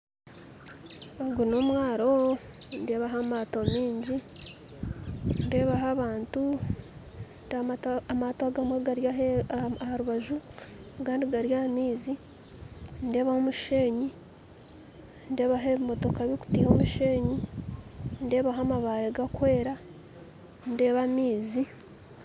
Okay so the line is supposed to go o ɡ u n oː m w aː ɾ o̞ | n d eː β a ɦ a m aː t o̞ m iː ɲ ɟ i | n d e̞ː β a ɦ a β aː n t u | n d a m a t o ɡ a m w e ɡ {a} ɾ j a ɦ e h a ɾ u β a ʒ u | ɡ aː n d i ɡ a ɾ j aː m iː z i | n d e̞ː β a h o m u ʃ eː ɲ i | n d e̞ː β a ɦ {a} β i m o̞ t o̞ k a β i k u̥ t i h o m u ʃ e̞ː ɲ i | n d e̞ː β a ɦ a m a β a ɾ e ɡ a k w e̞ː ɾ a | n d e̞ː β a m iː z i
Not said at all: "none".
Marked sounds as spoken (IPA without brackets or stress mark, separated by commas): a, e